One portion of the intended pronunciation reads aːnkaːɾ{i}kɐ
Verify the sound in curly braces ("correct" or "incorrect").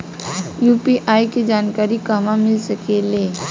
correct